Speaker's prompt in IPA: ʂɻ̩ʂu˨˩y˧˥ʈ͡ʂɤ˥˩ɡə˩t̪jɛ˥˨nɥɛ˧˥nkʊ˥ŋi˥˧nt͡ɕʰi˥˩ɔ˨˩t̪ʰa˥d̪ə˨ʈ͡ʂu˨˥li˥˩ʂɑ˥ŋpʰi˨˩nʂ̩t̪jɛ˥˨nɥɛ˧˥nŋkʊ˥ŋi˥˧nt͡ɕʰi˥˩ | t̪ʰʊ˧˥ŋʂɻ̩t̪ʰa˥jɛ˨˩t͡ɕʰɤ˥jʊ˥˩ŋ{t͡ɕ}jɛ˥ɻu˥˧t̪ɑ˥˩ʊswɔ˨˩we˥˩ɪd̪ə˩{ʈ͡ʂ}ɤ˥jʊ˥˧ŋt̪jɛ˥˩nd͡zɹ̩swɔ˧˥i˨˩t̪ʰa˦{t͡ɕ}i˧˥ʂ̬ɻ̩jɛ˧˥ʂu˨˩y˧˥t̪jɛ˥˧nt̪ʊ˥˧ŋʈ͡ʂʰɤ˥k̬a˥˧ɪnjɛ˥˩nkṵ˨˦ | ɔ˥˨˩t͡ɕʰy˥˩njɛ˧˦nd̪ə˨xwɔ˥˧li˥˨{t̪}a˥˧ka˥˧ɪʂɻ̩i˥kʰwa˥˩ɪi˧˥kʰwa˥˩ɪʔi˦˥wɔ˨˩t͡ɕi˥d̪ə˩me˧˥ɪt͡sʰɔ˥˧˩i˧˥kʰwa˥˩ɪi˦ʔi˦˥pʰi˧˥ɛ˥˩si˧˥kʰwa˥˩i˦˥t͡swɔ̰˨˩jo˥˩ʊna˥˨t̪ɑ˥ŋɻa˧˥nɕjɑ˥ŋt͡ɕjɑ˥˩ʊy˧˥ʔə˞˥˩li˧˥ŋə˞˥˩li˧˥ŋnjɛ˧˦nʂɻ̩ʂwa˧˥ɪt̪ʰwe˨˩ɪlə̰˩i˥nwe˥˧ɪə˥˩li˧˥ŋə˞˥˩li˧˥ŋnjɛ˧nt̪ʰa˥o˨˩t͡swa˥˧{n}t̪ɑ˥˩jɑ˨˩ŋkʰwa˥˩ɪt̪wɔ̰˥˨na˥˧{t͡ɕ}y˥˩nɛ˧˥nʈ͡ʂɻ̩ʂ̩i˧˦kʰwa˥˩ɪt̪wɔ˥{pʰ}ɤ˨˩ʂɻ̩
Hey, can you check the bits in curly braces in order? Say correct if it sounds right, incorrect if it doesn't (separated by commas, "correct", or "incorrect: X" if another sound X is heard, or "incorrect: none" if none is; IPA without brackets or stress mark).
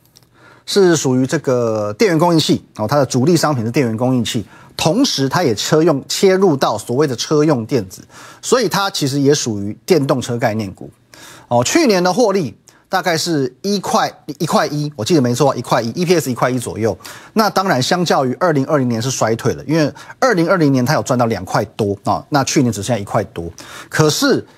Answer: incorrect: t͡ɕʰ, incorrect: ʈ͡ʂʰ, incorrect: t͡ɕʰ, correct, correct, incorrect: t͡ɕʰ, incorrect: kʰ